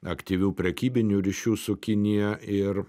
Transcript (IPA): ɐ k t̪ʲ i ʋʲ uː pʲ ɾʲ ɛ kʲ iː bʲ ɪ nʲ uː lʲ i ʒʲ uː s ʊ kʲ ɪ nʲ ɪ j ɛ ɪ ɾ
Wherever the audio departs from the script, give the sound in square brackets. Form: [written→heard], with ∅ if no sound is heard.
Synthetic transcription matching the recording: ɐ k t̪ʲ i ʋʲ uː pʲ ɾʲ ɛ kʲ iː bʲ ɪ nʲ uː [lʲ→ɾʲ] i [ʒʲ→ʃʲ] uː s ʊ kʲ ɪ nʲ ɪ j ɛ ɪ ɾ

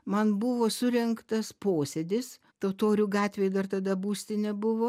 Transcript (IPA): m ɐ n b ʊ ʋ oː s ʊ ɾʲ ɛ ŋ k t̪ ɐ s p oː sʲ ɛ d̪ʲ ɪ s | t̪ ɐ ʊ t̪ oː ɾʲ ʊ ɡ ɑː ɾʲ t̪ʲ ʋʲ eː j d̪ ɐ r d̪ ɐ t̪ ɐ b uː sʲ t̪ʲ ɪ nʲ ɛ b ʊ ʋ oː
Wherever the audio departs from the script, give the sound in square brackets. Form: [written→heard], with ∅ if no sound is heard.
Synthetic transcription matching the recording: m ɐ n b ʊ ʋ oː s ʊ ɾʲ ɛ ŋ k t̪ ɐ s p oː sʲ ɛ d̪ʲ ɪ s | t̪ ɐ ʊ t̪ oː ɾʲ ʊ ɡ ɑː [ɾʲ→∅] t̪ʲ ʋʲ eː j d̪ ɐ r [d̪→t̪] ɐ [t̪→d̪] ɐ b uː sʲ t̪ʲ ɪ nʲ ɛ b ʊ ʋ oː

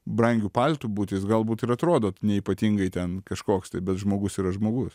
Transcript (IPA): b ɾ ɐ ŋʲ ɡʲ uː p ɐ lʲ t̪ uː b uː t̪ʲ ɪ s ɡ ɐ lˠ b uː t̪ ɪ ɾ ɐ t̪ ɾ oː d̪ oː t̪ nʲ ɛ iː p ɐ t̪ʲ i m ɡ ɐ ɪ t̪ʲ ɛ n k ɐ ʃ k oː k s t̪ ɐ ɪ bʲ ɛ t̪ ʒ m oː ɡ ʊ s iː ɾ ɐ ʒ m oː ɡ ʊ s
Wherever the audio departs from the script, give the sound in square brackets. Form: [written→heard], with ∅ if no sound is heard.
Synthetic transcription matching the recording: b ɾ ɐ ŋʲ ɡʲ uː p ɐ lʲ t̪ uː b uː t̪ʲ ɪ s ɡ ɐ lˠ b uː t̪ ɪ ɾ ɐ t̪ ɾ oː d̪ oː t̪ nʲ ɛ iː p ɐ t̪ʲ i [m→ŋ] ɡ ɐ ɪ t̪ʲ ɛ n k ɐ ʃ k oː k s t̪ ɐ ɪ bʲ ɛ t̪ ʒ m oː ɡ ʊ s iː ɾ ɐ ʒ m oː ɡ ʊ s

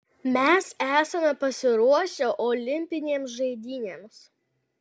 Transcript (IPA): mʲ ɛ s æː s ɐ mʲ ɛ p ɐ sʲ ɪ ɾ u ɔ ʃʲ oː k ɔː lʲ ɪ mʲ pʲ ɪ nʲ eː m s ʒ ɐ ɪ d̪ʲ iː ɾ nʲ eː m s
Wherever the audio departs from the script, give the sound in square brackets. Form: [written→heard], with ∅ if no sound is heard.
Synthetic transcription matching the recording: mʲ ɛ s æː s ɐ mʲ ɛ p ɐ sʲ ɪ ɾ u ɔ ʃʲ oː [k→ʔ] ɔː lʲ ɪ mʲ pʲ ɪ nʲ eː m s ʒ ɐ ɪ d̪ʲ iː [ɾ→∅] nʲ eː m s

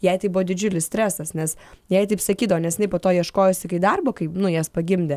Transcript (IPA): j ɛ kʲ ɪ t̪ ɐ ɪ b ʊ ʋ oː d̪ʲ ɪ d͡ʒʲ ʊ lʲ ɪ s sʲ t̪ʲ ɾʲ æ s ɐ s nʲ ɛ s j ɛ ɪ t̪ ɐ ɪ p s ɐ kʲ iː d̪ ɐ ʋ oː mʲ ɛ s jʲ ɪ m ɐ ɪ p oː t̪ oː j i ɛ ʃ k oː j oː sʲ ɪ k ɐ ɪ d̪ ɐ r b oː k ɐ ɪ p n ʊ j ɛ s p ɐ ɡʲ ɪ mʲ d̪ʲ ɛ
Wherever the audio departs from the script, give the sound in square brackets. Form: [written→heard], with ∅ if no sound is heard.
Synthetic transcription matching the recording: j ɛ [kʲ→∅] ɪ t̪ ɐ ɪ b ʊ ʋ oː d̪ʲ ɪ d͡ʒʲ ʊ lʲ ɪ s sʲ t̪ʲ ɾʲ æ s ɐ s nʲ ɛ s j ɛ ɪ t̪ ɐ ɪ p s ɐ kʲ iː d̪ ɐ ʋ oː [mʲ→nʲ] ɛ s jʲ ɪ [m→n] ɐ ɪ p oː t̪ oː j i ɛ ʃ k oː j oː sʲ ɪ k ɐ ɪ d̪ ɐ r b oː k ɐ ɪ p n ʊ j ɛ s p ɐ ɡʲ ɪ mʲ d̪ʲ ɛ

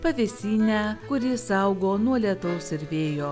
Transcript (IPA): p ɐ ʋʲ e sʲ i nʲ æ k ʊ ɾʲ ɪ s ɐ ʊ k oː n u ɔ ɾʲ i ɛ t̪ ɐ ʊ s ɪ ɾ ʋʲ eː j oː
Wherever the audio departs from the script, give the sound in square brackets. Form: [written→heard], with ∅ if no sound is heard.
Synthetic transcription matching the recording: p ɐ ʋʲ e sʲ [i→iː] nʲ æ k ʊ ɾʲ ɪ s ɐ ʊ [k→ɡ] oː n u ɔ [ɾʲ→lʲ] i ɛ t̪ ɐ ʊ s ɪ ɾ ʋʲ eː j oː

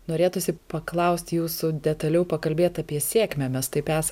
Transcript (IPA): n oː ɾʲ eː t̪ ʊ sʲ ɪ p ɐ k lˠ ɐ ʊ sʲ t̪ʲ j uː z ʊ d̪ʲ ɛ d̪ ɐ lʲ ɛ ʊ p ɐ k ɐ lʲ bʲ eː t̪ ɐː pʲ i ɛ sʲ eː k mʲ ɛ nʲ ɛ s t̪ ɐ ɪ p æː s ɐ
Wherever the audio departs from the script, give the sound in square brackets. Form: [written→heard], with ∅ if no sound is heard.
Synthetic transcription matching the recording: n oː ɾʲ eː t̪ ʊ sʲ ɪ p ɐ k lˠ ɐ ʊ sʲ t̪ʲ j uː [z→s] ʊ d̪ʲ ɛ [d̪→t̪] ɐ lʲ ɛ ʊ p ɐ k ɐ lʲ bʲ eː t̪ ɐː pʲ i ɛ sʲ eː k mʲ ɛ [nʲ→mʲ] ɛ s t̪ ɐ ɪ p æː s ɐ

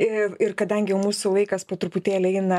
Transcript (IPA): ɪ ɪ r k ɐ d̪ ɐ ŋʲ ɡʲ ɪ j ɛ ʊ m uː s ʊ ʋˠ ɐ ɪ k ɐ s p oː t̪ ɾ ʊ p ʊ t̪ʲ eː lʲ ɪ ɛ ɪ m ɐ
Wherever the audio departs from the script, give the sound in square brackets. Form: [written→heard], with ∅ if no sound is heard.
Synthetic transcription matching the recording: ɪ ɪ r k ɐ d̪ ɐ ŋʲ ɡʲ ɪ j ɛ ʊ m uː s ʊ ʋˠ ɐ ɪ k ɐ s p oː t̪ ɾ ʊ p ʊ t̪ʲ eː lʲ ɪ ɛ ɪ [m→n] ɐ

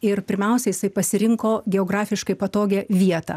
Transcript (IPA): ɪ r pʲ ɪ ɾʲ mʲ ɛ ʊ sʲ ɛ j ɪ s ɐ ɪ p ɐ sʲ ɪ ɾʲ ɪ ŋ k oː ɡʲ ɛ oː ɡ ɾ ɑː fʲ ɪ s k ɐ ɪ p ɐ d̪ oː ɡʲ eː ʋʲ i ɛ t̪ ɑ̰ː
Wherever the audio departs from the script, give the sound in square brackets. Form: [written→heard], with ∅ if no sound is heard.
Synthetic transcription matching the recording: ɪ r pʲ ɪ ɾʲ mʲ ɛ ʊ sʲ ɛ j ɪ s ɐ ɪ p ɐ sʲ ɪ ɾʲ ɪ ŋ k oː ɡʲ ɛ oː ɡ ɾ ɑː fʲ ɪ [s→ʃ] k ɐ ɪ p ɐ [d̪→t̪] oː ɡʲ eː ʋʲ i ɛ t̪ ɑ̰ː

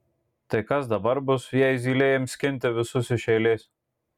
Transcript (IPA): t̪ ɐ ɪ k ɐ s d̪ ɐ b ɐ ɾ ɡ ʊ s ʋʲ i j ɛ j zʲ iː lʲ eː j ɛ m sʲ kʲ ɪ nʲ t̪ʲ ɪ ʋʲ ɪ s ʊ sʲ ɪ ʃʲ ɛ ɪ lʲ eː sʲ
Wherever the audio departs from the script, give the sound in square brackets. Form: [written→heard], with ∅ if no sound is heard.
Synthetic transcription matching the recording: t̪ ɐ ɪ k ɐ s d̪ ɐ b ɐ ɾ [ɡ→b] ʊ s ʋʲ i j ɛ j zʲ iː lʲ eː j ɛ m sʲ kʲ ɪ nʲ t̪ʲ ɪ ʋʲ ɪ s ʊ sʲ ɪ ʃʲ ɛ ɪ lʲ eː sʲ

